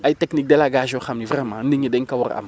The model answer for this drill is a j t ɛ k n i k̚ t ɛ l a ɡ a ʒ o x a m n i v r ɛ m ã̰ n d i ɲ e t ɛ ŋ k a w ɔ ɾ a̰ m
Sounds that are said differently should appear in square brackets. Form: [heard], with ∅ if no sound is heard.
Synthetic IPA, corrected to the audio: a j t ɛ k n i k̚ [d] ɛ l a ɡ a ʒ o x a m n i v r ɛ m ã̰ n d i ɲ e [d] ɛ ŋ k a w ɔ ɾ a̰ m